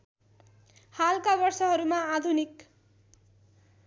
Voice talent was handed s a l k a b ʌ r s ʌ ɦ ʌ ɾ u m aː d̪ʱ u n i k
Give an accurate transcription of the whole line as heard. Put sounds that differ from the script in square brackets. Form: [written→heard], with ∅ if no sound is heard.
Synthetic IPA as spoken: [s→h] a l k a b ʌ r s ʌ ɦ ʌ ɾ u m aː d̪ʱ u n i k